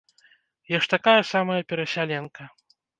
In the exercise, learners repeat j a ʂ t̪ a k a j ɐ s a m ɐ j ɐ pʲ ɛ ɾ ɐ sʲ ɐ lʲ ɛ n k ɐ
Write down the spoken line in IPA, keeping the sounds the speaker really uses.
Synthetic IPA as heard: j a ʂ t̪ a k a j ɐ s a m ɐ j ɐ pʲ ɛ ɾ ɐ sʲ a lʲ ɛ n k ɐ